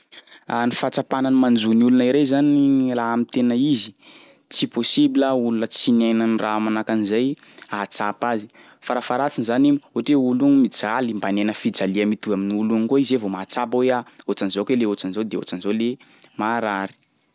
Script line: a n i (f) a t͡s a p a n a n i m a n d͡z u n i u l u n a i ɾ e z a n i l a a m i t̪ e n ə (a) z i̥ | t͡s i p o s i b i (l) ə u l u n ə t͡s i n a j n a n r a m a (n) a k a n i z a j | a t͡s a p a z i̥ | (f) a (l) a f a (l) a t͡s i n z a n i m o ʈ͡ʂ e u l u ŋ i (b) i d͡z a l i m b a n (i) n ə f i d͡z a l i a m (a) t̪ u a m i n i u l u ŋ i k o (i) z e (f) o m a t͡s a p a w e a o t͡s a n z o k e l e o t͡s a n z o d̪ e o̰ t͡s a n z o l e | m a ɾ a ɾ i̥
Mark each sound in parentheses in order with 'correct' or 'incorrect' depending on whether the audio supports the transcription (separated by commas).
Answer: correct, incorrect, correct, correct, correct, incorrect, incorrect, incorrect, incorrect, incorrect, correct, incorrect